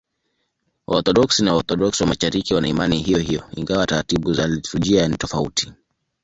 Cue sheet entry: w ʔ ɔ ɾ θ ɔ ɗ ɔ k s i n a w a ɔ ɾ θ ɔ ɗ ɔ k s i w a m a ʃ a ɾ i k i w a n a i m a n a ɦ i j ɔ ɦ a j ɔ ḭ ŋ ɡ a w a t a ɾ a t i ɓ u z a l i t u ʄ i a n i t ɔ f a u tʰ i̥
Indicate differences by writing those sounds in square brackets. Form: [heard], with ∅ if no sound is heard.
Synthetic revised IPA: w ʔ ɔ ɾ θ ɔ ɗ ɔ k s i n a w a ɔ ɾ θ ɔ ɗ ɔ k s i w a m a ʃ a ɾ i k i w a n a i m a n [i] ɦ i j ɔ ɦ [i] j ɔ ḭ ŋ ɡ a w a t a ɾ a t i ɓ u z a l i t u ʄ i a n i t ɔ f a u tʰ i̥